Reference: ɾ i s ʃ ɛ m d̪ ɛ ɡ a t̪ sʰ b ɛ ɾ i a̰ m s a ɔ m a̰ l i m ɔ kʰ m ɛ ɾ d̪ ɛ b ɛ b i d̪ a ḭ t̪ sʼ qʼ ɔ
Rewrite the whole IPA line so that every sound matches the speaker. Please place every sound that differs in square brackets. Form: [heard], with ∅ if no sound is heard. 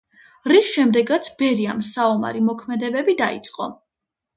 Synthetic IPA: ɾ i s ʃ ɛ m d̪ ɛ ɡ a t̪ sʰ b ɛ ɾ i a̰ m s a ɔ m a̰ [ɾ] i m ɔ kʰ m ɛ [∅] d̪ ɛ b ɛ b i d̪ a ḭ t̪ sʼ qʼ ɔ

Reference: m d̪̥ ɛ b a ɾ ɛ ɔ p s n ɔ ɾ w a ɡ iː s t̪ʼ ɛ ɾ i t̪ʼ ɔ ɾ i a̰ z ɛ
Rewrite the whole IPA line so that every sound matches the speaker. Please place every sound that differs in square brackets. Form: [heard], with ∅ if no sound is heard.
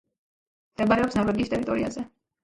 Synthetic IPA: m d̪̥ ɛ b a ɾ ɛ ɔ p s n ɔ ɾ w [ɛ] ɡ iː s t̪ʼ ɛ ɾ i t̪ʼ ɔ ɾ i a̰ z ɛ

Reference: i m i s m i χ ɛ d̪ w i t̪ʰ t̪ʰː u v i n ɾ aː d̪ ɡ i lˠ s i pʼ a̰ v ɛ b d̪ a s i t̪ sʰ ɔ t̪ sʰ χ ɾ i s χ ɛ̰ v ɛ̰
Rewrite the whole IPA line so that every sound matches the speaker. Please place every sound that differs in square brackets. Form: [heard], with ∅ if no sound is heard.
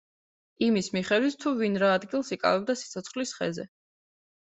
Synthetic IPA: i m i s m i χ ɛ d̪ w i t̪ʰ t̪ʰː u v i n ɾ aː d̪ ɡ i lˠ s i [kʼ] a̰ v ɛ b d̪ a s i t̪ sʰ ɔ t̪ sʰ χ [l] i s χ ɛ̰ [z] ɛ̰

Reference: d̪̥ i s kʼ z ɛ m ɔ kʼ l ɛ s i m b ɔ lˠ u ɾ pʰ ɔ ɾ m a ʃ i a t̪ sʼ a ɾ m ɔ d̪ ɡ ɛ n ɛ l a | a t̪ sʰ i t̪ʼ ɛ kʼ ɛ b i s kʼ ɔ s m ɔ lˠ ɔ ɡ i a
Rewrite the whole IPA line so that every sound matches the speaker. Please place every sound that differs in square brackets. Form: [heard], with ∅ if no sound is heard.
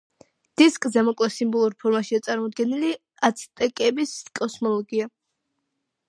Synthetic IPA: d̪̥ i s kʼ z ɛ m ɔ kʼ l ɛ s i m b ɔ lˠ u ɾ pʰ ɔ ɾ m a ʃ i a t̪ sʼ a ɾ m ɔ d̪ ɡ ɛ n [i] l [i] | a t̪ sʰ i t̪ʼ ɛ kʼ ɛ b i s kʼ ɔ s m ɔ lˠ ɔ ɡ i a

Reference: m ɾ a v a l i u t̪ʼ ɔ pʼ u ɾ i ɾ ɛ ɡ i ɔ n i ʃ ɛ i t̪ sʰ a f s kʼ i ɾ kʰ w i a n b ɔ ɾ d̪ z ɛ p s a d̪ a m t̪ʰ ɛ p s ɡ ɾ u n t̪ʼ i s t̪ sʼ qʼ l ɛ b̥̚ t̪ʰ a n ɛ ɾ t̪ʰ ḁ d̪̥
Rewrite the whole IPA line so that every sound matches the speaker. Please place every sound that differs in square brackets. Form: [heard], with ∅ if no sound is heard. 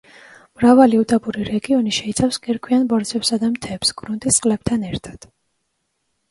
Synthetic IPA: m ɾ a v a l i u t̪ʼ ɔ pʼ u ɾ i ɾ ɛ ɡ i ɔ n i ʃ ɛ i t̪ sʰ a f s kʼ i ɾ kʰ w i a n b ɔ ɾ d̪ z ɛ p s a d̪ a m t̪ʰ ɛ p s ɡ ɾ u n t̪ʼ i s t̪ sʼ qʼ l ɛ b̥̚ t̪ʰ a n ɛ ɾ t̪ʰ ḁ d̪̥

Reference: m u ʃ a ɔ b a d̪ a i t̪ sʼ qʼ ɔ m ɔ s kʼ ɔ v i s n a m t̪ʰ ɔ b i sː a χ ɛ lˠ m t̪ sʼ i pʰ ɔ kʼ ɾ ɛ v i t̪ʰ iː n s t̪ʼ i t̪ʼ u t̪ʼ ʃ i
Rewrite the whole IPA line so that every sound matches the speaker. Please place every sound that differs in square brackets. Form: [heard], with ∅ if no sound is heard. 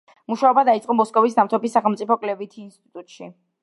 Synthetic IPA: m u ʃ a ɔ b a d̪ a i t̪ sʼ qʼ ɔ m ɔ s kʼ ɔ v i s n a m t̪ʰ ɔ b i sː a χ ɛ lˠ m t̪ sʼ i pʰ ɔ kʼ [l] ɛ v i t̪ʰ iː n s t̪ʼ i t̪ʼ u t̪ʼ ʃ i

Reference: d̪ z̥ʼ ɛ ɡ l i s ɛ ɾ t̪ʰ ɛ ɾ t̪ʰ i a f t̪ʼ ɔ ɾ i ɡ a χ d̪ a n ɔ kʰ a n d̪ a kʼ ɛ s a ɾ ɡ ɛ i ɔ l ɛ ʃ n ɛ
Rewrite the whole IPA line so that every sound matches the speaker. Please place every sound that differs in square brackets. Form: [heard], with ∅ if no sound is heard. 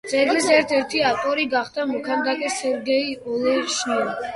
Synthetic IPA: d̪ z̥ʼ ɛ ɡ l i s ɛ ɾ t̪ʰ ɛ ɾ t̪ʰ i a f t̪ʼ ɔ ɾ i ɡ a χ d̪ a [m] ɔ kʰ a n d̪ a kʼ ɛ s [ɛ] ɾ ɡ ɛ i ɔ l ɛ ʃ n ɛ

